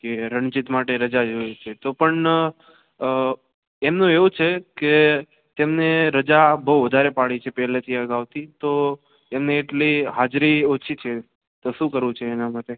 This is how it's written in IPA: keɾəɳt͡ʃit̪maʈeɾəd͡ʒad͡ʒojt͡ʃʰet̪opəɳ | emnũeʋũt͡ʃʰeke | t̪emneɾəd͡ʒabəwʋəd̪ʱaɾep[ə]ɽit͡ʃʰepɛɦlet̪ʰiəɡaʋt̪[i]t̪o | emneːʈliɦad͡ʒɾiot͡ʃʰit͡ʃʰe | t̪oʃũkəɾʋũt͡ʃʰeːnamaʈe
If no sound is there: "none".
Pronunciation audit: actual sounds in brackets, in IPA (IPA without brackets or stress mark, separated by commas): a, i